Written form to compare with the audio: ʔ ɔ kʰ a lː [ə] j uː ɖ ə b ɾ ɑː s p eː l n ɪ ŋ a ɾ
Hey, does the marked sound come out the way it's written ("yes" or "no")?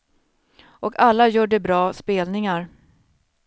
no